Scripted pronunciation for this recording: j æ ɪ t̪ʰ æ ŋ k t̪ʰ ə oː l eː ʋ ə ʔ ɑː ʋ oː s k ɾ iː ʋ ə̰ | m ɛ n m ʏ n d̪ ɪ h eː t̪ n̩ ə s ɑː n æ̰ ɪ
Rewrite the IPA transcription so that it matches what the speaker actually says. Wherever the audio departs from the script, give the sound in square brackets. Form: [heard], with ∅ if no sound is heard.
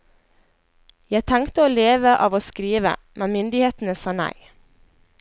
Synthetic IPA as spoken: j æ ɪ t̪ʰ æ ŋ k [t̪] ə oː l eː ʋ ə ʔ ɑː ʋ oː s k ɾ iː ʋ ə̰ | m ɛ n m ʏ n d̪ ɪ h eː t̪ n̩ ə s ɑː n æ̰ ɪ